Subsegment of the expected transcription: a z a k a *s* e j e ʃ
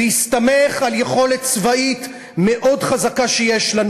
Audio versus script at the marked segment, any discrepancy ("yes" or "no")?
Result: yes